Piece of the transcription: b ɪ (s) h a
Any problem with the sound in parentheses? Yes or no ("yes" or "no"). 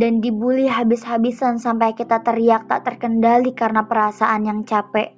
no